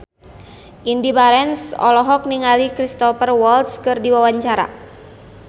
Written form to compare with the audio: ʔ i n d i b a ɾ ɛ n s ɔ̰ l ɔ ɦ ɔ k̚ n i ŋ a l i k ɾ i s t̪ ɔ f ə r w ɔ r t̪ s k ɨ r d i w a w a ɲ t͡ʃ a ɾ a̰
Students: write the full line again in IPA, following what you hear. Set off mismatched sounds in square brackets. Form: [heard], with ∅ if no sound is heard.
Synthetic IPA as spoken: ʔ i n d i b a ɾ ɛ n s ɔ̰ l ɔ ɦ ɔ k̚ n i ŋ a l i k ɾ i s t̪ ɔ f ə r w ɔ [l] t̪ s k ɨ r d i w a w a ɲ t͡ʃ a ɾ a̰